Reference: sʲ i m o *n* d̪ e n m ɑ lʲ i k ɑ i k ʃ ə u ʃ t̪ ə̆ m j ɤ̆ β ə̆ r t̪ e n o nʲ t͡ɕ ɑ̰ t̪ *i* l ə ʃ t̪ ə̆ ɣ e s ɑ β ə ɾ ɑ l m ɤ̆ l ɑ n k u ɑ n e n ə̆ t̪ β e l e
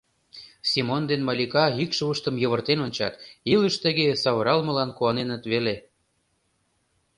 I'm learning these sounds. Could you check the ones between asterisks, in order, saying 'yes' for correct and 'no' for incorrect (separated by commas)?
yes, yes